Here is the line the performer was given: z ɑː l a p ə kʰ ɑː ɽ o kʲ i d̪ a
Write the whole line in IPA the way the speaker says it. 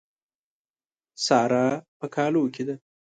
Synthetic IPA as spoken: s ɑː ɾ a p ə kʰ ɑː l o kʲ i d̪ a